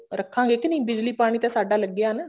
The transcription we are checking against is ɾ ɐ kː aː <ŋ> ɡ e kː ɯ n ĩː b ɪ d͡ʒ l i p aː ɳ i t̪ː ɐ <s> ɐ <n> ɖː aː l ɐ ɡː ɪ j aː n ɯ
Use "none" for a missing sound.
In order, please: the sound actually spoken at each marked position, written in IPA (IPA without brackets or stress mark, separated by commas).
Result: ŋ, s, none